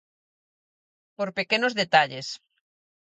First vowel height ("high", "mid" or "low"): mid